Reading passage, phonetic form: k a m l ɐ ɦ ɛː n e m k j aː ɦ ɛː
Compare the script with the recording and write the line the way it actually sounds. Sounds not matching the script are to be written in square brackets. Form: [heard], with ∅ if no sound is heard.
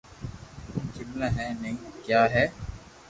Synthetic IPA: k [i] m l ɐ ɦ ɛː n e [ŋ] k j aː ɦ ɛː